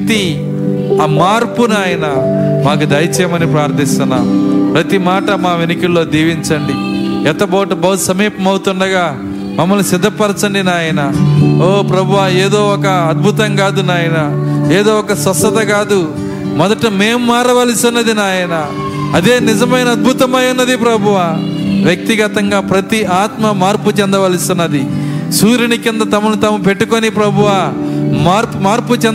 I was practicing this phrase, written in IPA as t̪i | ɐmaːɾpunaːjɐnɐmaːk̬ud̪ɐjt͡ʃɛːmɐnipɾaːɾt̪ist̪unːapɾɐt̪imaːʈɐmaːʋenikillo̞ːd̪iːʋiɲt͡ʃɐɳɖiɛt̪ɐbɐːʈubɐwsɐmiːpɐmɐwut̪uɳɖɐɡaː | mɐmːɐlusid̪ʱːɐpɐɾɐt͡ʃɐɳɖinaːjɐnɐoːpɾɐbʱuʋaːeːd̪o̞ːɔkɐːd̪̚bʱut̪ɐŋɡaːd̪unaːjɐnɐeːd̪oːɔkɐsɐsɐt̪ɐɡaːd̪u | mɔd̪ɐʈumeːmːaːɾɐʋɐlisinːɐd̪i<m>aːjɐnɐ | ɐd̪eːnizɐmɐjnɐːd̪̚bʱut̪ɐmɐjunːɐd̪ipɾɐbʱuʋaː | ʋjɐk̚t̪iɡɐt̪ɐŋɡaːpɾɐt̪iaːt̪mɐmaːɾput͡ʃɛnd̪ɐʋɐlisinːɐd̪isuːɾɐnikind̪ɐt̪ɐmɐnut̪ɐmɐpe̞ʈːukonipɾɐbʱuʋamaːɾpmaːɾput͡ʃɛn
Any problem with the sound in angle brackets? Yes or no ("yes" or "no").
yes